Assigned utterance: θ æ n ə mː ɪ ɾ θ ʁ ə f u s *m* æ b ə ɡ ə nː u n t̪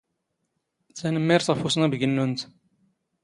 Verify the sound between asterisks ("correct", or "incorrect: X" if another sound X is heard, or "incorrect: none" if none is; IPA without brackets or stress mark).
incorrect: n